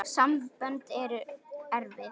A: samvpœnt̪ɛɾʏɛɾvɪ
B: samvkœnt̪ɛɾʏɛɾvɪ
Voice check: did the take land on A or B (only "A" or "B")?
A